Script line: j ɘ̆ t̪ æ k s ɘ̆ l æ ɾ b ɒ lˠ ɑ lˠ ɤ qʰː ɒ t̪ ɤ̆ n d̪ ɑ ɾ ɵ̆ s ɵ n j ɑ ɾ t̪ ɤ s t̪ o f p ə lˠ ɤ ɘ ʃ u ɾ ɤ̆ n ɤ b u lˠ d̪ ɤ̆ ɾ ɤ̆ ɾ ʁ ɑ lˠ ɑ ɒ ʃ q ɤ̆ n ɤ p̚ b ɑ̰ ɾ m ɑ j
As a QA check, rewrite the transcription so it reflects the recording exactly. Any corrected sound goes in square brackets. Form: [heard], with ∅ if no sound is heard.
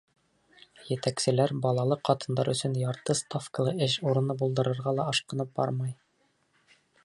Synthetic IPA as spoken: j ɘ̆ t̪ æ k s ɘ̆ l æ ɾ b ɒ lˠ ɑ lˠ ɤ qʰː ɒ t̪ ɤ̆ n d̪ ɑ ɾ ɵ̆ s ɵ n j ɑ ɾ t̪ ɤ s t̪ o f [k] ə lˠ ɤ ɘ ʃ u ɾ ɤ̆ n ɤ b u lˠ d̪ ɤ̆ ɾ ɤ̆ ɾ ʁ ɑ lˠ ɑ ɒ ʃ q ɤ̆ n ɤ p̚ b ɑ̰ ɾ m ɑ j